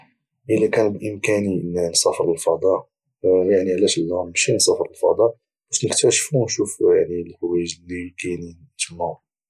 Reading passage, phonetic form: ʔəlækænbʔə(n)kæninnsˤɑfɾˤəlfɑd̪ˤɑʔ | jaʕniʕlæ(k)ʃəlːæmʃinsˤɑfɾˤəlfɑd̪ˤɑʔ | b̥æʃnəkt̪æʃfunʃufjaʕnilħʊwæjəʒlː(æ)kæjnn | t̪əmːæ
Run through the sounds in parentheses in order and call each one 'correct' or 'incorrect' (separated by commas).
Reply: incorrect, incorrect, incorrect